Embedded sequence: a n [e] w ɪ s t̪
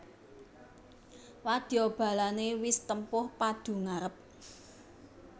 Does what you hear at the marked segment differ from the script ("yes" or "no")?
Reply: no